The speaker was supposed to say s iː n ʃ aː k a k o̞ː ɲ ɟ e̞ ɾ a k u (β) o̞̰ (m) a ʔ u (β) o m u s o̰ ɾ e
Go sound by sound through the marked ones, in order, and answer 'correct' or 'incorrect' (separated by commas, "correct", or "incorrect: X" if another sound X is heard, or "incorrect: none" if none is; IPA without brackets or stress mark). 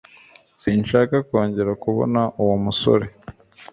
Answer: correct, incorrect: n, incorrect: w